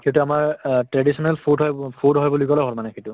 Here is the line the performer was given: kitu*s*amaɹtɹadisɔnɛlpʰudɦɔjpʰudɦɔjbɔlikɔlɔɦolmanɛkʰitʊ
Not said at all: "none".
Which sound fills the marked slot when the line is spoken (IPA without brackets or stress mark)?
none